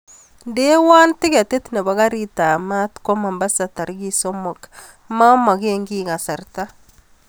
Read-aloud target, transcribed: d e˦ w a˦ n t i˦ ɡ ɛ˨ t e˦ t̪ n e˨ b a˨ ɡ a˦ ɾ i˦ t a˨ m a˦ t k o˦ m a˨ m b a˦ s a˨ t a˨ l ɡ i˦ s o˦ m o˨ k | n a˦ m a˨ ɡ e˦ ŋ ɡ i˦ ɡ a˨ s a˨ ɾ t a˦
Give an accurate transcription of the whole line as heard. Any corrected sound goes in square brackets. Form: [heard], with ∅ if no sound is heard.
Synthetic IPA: d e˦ w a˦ n t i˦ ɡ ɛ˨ t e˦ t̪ n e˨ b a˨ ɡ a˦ ɾ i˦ t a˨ m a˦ t k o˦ m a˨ m b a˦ s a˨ t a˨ [ɾ] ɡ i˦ s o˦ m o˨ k | [m] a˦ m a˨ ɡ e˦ ŋ ɡ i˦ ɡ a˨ s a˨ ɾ t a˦